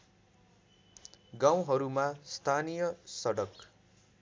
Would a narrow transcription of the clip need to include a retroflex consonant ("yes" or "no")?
yes